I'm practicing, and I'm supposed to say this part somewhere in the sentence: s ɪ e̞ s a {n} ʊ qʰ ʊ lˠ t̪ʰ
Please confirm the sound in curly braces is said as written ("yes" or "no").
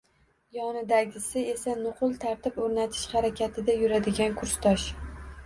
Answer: yes